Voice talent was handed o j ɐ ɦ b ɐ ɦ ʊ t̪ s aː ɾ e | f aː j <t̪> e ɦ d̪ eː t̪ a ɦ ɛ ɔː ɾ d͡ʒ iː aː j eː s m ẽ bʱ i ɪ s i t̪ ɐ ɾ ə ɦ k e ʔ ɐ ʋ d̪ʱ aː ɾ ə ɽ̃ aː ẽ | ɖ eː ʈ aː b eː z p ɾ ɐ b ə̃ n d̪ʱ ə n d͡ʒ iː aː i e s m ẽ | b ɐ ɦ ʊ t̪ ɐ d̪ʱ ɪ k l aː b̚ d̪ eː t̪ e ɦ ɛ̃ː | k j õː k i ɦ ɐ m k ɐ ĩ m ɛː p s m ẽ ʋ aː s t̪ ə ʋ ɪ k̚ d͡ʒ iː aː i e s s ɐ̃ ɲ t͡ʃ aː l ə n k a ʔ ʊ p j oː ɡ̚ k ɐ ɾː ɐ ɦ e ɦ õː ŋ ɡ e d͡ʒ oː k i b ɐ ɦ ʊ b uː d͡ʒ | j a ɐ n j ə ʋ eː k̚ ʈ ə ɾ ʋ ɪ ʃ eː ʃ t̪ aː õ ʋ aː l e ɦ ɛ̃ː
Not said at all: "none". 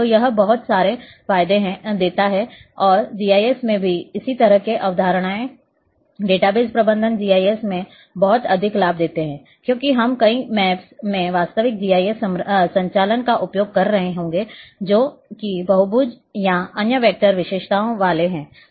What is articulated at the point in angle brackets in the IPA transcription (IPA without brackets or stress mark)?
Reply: d̪